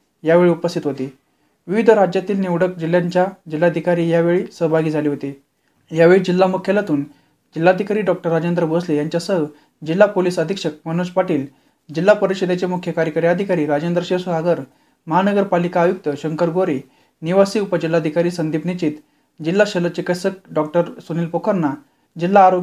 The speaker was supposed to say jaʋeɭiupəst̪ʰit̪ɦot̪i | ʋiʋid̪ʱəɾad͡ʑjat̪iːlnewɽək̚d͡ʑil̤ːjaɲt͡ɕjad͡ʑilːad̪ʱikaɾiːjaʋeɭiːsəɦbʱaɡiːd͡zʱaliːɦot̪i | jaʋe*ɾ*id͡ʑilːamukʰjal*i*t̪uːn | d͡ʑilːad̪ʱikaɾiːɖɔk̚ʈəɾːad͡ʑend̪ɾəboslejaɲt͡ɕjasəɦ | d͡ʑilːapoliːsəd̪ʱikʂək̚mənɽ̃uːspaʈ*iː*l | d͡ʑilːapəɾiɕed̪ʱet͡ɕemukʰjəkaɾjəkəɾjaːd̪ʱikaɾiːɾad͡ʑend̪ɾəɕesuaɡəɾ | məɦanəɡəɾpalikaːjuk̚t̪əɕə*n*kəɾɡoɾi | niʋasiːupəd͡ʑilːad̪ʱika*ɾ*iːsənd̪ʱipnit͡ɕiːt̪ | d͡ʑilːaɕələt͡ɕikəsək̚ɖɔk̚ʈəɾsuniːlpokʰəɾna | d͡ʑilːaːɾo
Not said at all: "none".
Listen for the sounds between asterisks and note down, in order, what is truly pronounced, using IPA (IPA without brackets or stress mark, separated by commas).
ɭ, a, iː, ŋ, ɾ